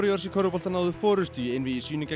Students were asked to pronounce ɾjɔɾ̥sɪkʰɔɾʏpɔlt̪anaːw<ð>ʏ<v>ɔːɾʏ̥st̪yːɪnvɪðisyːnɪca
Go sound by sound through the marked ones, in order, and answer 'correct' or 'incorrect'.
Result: correct, incorrect

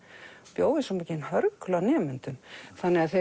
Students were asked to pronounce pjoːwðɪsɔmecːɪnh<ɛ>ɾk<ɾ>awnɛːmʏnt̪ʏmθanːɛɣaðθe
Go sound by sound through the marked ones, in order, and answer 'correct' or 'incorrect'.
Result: incorrect, incorrect

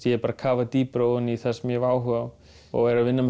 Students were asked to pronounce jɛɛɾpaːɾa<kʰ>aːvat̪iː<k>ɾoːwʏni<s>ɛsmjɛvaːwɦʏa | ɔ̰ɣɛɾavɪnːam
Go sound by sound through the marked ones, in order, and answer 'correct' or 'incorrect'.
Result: correct, incorrect, incorrect

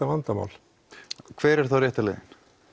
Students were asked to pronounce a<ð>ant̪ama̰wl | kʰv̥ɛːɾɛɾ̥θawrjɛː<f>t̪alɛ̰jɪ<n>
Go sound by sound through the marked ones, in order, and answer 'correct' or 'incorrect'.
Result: incorrect, incorrect, correct

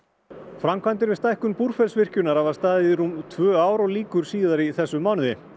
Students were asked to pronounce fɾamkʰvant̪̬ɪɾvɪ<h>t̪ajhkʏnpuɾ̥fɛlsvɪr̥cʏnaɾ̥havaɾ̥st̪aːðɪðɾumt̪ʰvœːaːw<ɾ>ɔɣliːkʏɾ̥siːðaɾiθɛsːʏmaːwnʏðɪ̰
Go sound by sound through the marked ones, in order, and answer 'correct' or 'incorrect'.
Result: incorrect, correct

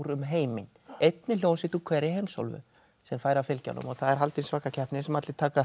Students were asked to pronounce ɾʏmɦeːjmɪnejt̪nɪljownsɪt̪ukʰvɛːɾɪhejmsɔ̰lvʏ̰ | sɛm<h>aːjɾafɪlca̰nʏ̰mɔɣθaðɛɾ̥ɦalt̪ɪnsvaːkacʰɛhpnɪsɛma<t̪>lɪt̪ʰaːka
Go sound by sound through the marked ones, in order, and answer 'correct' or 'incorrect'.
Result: incorrect, correct

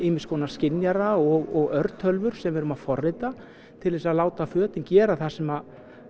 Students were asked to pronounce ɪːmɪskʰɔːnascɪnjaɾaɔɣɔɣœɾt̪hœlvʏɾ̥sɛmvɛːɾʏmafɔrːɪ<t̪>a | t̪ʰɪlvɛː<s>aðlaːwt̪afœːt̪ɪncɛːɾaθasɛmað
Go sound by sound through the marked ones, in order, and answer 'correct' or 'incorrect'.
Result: correct, correct

